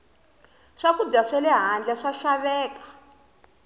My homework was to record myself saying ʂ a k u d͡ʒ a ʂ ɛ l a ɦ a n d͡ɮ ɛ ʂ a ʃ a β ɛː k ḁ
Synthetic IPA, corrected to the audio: ʂ a k u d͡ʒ a ʂ ɛ l ɛ ɦ a n d͡ɮ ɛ ʂ a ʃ a β ɛː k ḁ

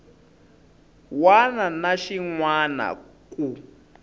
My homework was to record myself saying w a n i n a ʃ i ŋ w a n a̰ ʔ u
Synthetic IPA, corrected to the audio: w a n a n a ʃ i ŋ w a n a̰ k u

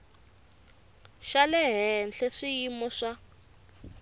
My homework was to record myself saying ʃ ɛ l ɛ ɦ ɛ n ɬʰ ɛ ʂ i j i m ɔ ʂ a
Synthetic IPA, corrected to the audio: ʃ a l ɛ ɦ ɛ n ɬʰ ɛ ʂ i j i m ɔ ʂ a

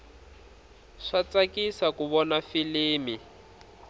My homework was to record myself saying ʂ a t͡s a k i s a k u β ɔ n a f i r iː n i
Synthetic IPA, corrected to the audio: ʂ a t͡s a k i s a k u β ɔ n a f i l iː m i

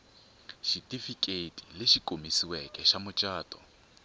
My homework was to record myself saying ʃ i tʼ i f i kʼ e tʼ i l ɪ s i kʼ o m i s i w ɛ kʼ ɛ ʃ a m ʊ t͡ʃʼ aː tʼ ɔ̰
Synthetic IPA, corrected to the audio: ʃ i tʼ i f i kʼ e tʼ i l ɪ ʃ i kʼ o m i s i w ɛ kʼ ɛ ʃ a m ʊ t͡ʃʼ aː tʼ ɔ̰

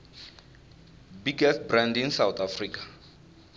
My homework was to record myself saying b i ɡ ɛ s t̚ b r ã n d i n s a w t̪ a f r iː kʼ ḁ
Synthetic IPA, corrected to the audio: b i ɡ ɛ s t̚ b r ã n d i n s a w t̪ a f r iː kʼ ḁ

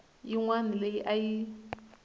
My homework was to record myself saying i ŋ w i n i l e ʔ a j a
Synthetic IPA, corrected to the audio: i ŋ w a n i l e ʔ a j i

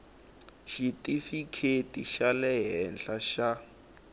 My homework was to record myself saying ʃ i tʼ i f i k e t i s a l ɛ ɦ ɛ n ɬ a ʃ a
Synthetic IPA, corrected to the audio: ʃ i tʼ i f i kʰ e t i ʃ a l ɛ ɦ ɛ n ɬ a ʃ a

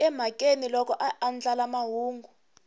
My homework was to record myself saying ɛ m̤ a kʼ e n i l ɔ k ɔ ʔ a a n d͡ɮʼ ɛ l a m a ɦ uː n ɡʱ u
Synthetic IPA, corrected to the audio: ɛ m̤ a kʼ e n i l ɔ k ɔ ʔ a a n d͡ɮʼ a l a m a ɦ uː ŋ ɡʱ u

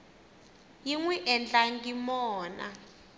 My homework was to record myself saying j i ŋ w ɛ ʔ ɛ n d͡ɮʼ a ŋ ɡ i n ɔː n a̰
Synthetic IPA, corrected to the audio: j i ŋ w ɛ ʔ ɛ n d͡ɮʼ a ŋ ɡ i m ɔː n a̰

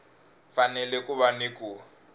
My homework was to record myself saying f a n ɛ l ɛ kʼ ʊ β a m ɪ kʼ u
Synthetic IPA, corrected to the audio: f a n ɛ l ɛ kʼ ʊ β a n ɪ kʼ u

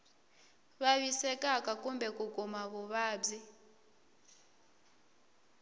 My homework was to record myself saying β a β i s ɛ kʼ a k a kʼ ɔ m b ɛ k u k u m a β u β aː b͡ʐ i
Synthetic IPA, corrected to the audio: β a β i s ɛ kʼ a k a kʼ u m b ɛ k u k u m a β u β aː b͡ʐ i

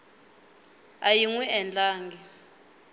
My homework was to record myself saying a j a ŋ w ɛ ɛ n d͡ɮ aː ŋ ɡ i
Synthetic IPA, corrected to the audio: a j i ŋ w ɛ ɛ n d͡ɮ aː ŋ ɡ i

